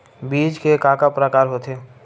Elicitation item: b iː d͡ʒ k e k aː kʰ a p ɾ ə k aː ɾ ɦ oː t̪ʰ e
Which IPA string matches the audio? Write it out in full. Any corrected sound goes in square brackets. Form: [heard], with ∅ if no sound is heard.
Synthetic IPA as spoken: b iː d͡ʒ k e k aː [k] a p ɾ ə k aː ɾ ɦ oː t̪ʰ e

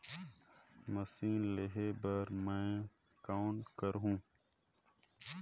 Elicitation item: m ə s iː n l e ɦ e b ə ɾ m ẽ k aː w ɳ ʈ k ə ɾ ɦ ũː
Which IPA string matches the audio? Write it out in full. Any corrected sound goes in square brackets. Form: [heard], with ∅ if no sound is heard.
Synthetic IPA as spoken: m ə s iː n l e ɦ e b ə ɾ m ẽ k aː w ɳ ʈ k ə ɾ ɦ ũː

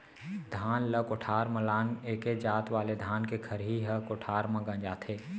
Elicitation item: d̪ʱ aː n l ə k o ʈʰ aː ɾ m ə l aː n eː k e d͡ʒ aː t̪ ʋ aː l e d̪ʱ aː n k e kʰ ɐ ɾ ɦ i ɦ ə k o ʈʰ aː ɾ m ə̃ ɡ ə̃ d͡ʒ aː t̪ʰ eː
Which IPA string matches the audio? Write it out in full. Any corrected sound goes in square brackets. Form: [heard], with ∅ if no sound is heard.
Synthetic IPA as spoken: d̪ʱ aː n l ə k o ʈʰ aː ɾ m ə l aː n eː k e d͡ʒ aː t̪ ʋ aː l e d̪ʱ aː n k e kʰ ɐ ɾ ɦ i ɦ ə k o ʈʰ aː ɾ m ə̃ ɡ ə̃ d͡ʒ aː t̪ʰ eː

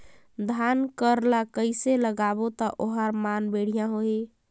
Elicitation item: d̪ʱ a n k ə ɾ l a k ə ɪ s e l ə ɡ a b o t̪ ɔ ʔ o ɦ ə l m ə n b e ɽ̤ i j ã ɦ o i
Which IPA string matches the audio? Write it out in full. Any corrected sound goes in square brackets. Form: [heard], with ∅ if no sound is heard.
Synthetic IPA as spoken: d̪ʱ a n k ə ɾ l a k ə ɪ s e l ə ɡ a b o t̪ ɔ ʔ o ɦ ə [ɾ] m [a] n b e ɽ̤ i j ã ɦ o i

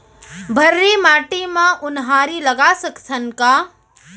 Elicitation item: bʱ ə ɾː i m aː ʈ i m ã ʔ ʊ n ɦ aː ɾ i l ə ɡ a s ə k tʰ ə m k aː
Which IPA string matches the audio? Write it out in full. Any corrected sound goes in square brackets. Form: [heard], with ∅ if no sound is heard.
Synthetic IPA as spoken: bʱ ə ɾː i m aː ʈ i m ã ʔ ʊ n ɦ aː ɾ i l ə ɡ a s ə k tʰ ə [n] k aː

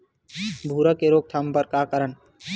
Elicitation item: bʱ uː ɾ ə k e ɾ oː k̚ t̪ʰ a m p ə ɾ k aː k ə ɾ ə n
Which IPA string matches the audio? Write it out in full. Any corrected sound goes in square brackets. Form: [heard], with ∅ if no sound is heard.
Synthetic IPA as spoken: bʱ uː ɾ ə k e ɾ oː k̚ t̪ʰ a m p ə ɾ k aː k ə ɾ ə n

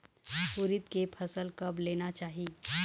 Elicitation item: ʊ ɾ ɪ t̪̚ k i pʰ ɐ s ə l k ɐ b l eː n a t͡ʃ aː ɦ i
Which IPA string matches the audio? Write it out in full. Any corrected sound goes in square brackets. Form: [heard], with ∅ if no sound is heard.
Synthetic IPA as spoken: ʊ ɾ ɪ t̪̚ k [e] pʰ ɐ s ə l k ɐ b l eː n a t͡ʃ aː ɦ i

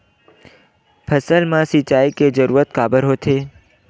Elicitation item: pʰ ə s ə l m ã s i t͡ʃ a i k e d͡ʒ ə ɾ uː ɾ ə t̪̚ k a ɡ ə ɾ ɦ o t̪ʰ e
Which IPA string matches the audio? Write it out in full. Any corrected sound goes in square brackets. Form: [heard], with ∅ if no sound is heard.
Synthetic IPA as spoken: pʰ ə s ə l m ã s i t͡ʃ a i k e d͡ʒ ə ɾ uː ɾ ə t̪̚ k a [b] ə ɾ ɦ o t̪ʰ e

